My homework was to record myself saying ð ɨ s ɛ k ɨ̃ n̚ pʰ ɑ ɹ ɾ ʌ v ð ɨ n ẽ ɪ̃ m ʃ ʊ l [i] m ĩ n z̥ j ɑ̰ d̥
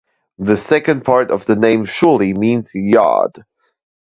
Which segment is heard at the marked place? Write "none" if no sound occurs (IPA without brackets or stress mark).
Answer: i